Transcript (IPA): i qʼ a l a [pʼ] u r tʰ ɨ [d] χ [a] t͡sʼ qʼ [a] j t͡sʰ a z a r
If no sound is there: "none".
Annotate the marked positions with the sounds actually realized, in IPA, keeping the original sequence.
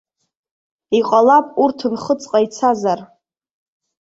pʼ, n, ə, a

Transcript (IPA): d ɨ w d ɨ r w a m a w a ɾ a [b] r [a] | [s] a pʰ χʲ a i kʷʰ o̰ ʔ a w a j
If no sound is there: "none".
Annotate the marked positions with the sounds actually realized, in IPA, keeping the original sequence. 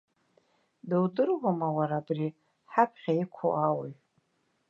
b, i, ħ

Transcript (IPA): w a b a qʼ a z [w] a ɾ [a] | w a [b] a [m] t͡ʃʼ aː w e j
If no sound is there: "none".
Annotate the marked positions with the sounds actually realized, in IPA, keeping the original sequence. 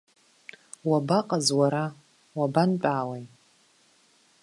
w, a, b, n

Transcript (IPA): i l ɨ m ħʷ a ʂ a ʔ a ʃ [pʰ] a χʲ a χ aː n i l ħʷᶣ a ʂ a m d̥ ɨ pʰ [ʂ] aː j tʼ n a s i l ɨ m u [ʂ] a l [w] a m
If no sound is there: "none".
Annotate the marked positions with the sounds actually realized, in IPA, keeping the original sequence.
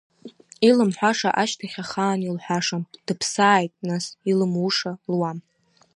tʰ, s, ʂ, w

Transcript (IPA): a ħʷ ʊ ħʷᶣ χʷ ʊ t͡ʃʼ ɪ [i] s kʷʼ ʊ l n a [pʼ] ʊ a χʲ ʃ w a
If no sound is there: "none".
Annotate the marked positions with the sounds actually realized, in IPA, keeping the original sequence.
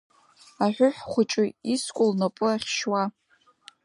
i, pʼ

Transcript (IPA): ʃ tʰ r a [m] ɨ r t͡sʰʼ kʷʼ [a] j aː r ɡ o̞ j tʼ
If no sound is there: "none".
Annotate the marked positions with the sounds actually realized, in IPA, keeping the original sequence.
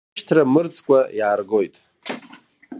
m, a

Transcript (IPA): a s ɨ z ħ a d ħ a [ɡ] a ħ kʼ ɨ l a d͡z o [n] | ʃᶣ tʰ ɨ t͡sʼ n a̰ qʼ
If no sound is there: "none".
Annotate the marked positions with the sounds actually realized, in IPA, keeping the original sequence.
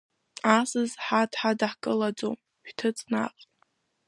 d, m

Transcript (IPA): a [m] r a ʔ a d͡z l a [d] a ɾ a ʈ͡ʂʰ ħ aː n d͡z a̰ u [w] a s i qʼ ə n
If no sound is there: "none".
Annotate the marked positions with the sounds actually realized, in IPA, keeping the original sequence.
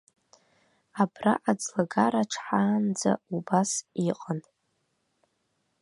b, ɡ, b

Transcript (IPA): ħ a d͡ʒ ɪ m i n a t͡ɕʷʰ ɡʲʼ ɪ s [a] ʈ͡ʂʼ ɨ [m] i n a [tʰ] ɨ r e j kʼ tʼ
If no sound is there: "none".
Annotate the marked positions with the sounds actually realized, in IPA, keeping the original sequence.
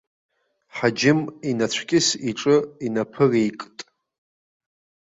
i, none, pʰ

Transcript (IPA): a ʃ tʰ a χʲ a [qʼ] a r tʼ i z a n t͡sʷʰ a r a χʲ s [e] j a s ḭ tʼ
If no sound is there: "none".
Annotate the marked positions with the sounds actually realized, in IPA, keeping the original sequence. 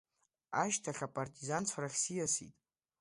pʼ, i

